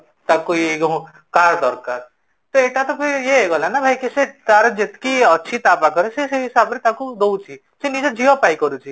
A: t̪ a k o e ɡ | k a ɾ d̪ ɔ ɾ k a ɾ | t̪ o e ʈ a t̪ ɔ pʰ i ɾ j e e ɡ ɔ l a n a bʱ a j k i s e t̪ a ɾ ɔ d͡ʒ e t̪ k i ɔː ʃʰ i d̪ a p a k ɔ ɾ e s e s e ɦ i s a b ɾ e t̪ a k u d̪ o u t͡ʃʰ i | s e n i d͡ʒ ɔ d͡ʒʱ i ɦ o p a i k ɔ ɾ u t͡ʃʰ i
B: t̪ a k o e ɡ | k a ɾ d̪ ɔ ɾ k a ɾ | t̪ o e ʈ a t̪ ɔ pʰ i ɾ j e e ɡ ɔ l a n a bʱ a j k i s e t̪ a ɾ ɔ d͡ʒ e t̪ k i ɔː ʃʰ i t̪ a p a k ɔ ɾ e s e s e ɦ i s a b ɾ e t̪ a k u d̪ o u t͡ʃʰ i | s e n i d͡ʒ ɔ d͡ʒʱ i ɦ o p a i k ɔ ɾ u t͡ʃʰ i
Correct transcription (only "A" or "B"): B